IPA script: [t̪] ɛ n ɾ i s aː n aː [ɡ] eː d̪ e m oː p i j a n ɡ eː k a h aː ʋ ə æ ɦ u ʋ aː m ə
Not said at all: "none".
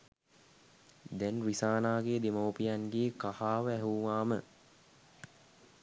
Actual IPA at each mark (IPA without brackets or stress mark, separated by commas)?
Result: d̪, ɡ